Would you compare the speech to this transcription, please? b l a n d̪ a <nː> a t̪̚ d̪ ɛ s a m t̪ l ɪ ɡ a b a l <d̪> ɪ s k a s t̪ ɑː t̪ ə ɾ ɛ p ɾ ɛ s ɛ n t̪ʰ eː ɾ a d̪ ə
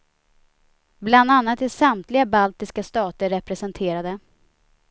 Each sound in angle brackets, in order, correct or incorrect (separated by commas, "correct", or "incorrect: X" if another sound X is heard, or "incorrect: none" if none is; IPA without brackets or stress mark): correct, incorrect: t̪